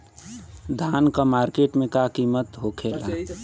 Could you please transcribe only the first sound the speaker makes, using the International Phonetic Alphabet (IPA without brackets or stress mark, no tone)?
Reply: d̪ʱ